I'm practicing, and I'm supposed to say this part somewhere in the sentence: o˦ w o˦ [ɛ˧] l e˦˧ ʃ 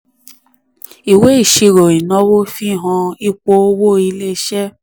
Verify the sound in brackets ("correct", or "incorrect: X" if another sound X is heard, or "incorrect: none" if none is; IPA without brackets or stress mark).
incorrect: i˧